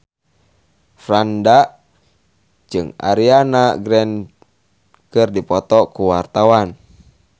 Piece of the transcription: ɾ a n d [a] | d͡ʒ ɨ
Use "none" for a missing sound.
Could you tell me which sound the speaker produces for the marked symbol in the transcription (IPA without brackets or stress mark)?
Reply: a